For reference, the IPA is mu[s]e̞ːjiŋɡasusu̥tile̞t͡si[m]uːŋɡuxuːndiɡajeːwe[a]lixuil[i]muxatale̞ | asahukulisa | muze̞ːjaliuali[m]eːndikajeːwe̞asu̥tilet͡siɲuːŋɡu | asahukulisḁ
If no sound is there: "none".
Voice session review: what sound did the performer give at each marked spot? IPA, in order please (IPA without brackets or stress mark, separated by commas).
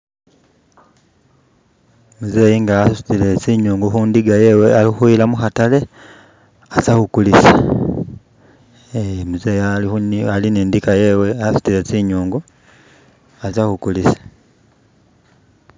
z, ɲ, a, a, n